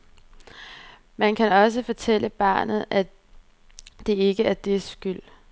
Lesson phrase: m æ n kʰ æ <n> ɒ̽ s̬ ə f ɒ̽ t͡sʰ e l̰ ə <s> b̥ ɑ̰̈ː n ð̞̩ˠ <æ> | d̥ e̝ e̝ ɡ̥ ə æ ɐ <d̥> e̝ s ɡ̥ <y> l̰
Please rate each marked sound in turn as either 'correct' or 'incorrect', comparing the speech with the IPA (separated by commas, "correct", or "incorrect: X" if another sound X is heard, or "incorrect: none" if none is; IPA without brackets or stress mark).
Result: correct, incorrect: none, correct, correct, correct